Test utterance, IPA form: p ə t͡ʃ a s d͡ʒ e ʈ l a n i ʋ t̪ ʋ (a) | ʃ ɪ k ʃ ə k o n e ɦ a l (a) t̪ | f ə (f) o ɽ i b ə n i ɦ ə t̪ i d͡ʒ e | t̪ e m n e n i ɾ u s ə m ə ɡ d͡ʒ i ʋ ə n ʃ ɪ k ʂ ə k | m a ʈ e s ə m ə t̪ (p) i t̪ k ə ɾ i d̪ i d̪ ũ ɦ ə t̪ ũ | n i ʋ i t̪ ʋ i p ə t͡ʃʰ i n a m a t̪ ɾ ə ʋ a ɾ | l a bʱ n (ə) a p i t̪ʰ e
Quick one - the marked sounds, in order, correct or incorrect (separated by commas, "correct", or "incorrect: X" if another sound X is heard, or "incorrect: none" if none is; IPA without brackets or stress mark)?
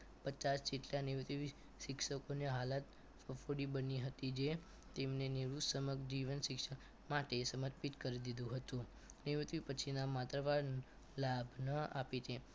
incorrect: i, correct, correct, correct, correct